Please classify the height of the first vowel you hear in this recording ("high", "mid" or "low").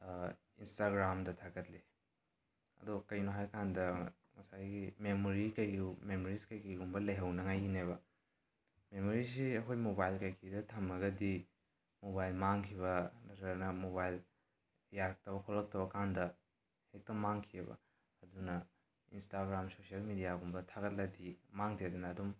high